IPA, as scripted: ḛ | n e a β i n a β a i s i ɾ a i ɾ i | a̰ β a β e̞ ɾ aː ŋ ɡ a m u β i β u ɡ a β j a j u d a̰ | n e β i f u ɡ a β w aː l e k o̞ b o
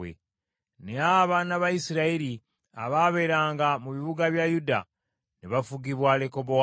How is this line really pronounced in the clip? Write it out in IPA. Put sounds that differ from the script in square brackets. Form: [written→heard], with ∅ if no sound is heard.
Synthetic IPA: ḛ | n e a β [i→a] n a β a i s i ɾ a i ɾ i | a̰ β a β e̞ ɾ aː ŋ ɡ a m u β i β u ɡ a β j a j u d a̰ | n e β [i→a] f u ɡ [a→i] β w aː l e k o̞ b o